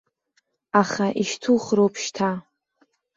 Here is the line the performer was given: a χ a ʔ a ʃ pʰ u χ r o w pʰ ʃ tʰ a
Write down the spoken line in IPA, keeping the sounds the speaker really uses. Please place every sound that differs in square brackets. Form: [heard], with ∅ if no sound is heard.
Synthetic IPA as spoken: a χ a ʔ [i] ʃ [tʰ] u χ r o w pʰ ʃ tʰ a